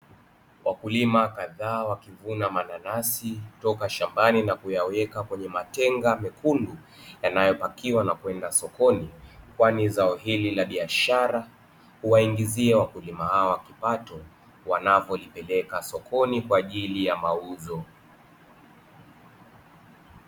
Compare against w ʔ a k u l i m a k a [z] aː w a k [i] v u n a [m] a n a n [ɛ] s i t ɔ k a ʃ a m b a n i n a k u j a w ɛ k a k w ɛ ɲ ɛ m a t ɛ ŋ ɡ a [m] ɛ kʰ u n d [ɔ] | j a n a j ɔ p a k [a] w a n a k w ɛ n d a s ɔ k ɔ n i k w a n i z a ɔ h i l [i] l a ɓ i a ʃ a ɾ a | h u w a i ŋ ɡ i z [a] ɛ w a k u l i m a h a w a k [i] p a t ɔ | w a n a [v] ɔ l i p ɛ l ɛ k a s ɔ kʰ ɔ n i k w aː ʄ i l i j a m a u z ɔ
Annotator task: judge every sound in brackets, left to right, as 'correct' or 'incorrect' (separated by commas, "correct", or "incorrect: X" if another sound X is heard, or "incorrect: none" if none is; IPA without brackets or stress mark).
incorrect: ð, correct, correct, incorrect: a, correct, incorrect: u, incorrect: i, correct, incorrect: i, correct, correct